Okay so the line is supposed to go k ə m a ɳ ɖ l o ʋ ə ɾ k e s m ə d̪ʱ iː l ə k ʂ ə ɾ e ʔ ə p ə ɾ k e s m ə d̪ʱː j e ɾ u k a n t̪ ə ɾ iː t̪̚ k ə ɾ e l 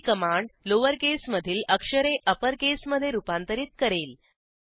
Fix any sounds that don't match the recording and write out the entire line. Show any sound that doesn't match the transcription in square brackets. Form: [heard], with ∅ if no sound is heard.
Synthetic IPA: k ə m a ɳ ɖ l o ʋ ə ɾ k e s m ə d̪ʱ iː l ə k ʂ ə ɾ e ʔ ə p ə ɾ k e s m ə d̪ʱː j e ɾ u [p] a n t̪ ə ɾ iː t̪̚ k ə ɾ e l